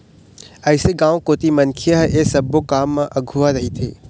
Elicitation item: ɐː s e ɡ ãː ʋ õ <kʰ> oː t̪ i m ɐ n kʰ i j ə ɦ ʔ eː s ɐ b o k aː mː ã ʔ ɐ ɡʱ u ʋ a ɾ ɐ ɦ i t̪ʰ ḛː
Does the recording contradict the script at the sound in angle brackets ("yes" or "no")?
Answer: yes